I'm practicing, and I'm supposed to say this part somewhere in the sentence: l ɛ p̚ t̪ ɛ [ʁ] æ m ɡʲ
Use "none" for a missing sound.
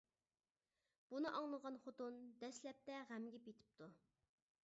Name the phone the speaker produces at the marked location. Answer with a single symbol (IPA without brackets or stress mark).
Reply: ʁ